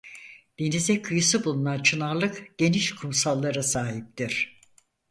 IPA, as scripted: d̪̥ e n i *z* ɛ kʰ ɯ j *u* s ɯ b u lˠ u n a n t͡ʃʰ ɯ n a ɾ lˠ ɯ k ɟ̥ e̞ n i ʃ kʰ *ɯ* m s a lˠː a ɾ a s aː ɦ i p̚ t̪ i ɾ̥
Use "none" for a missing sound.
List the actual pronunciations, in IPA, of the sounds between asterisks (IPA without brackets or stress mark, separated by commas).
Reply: z, ɯ, u